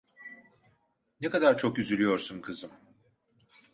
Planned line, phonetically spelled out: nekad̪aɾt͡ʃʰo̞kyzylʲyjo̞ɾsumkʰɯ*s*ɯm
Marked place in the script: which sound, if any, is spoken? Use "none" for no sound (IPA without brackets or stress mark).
z